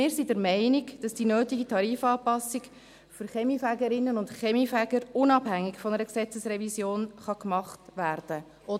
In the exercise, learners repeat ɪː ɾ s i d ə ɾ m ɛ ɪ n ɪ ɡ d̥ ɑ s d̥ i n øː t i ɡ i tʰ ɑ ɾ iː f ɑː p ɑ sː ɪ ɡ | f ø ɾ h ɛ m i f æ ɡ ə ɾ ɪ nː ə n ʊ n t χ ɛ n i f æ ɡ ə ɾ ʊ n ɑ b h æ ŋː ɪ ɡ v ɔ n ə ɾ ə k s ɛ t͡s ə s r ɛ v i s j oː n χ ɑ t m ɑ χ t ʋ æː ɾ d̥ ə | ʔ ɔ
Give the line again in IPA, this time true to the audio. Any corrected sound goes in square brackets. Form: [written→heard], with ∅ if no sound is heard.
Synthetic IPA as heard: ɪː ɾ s i d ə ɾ m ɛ ɪ n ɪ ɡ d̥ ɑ s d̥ i n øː t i ɡ i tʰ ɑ ɾ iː f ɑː p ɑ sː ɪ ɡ | f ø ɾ [h→χ] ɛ m i f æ ɡ ə ɾ ɪ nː ə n ʊ n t χ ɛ [n→m] i f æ ɡ ə ɾ ʊ n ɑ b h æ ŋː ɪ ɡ [v→f] ɔ n ə ɾ ə k s ɛ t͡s ə s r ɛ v i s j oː n χ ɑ [t→k] m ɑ χ t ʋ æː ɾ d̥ ə | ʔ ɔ